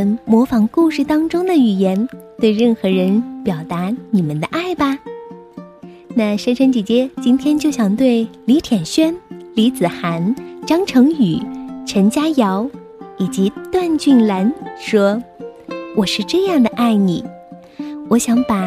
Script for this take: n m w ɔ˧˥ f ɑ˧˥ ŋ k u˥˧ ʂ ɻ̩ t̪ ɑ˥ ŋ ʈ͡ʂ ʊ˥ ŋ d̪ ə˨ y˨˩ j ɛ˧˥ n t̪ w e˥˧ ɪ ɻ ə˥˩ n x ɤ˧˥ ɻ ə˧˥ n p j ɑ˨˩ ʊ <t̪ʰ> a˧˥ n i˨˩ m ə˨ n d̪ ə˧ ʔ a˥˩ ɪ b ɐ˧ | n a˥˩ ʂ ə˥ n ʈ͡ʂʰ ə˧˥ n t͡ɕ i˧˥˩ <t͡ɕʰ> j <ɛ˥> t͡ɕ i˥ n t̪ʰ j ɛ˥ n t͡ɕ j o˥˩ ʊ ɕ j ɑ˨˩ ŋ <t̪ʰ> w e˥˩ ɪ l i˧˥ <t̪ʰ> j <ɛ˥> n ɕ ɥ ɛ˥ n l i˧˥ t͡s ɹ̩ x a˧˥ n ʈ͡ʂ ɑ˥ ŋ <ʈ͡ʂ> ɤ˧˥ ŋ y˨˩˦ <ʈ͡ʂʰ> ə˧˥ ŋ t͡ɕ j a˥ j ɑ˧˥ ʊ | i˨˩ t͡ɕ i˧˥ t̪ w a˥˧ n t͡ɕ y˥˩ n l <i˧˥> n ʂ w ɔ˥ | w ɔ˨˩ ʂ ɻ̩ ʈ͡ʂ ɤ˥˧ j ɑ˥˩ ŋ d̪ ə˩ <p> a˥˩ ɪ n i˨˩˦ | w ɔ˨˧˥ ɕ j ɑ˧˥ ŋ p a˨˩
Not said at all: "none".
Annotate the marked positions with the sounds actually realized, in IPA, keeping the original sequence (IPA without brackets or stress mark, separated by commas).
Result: t̪, t͡ɕ, ɛ˥, t̪, t̪ʰ, ɛ˨˩, ʈ͡ʂʰ, ʈ͡ʂʰ, a˧˥, ʔ